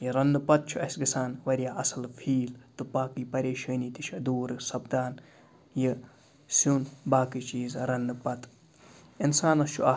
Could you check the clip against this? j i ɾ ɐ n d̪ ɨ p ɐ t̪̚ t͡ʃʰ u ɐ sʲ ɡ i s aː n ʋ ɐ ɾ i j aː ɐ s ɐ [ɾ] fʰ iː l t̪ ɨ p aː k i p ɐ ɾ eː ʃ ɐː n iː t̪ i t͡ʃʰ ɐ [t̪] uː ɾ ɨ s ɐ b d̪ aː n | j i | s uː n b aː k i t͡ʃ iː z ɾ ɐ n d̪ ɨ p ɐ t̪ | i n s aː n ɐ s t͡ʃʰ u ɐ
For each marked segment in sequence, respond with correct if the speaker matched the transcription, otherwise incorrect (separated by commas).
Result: incorrect, incorrect